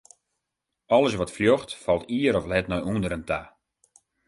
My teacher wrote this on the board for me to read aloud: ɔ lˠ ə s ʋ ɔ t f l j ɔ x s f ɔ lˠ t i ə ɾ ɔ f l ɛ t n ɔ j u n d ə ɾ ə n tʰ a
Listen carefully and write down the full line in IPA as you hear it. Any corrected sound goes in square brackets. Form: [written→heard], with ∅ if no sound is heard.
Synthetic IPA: ɔ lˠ ə s ʋ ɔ t f l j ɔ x [s→t] f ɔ lˠ t i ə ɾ ɔ f l ɛ t n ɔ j u n d ə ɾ ə n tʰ a